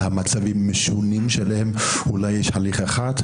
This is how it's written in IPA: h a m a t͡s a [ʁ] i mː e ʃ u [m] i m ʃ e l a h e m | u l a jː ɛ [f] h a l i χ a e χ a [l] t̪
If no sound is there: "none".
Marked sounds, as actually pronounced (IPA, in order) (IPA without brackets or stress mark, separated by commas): v, n, ʃ, none